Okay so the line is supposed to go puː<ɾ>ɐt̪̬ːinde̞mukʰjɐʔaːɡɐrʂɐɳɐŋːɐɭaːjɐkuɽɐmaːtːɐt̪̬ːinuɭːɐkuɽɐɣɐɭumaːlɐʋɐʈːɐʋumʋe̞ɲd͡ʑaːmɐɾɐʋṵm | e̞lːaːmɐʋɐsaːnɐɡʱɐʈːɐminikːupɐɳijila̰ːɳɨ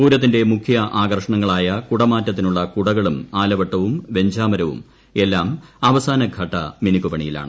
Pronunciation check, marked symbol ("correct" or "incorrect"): correct